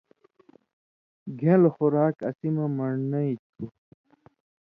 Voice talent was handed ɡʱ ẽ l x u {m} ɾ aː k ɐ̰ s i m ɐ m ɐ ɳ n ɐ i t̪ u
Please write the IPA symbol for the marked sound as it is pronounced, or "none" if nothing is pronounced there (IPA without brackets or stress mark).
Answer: none